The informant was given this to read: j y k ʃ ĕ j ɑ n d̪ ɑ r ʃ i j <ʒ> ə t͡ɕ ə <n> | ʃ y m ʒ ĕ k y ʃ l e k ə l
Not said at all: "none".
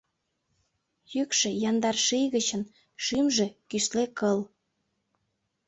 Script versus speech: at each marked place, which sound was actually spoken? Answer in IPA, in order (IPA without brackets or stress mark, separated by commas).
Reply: ɣ, n